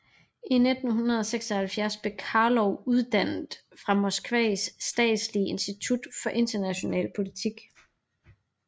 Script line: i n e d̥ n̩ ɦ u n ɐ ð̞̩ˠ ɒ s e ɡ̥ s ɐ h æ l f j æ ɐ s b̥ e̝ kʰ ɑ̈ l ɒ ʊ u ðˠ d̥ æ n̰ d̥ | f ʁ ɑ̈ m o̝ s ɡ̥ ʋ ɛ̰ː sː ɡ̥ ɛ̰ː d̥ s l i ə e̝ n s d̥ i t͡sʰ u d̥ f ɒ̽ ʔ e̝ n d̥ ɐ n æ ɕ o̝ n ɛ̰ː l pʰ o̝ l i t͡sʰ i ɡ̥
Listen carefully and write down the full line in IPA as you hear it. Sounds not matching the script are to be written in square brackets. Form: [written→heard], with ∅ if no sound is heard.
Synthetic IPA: i n e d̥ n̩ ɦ u n ɐ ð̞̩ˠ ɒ s e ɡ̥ s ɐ h æ l f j æ ɐ s b̥ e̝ kʰ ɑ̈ l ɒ ʊ u ðˠ d̥ æ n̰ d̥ | f ʁ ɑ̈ m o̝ s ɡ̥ ʋ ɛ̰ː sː [ɡ̥→d̥] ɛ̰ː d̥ s l i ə e̝ n s d̥ i t͡sʰ u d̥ f ɒ̽ ʔ e̝ n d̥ ɐ n æ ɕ o̝ n ɛ̰ː l pʰ o̝ l i t͡sʰ i ɡ̥